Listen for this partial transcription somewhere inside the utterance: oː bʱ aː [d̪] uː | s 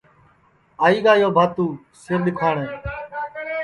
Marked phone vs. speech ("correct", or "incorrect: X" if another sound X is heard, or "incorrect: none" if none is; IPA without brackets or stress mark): incorrect: t̪